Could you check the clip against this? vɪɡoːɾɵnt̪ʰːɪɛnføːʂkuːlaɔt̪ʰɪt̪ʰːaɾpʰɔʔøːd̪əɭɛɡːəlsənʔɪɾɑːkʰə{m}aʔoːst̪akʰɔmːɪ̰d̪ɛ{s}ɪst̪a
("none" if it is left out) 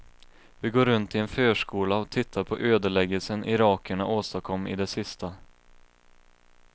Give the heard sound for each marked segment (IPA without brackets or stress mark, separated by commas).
ɳ, s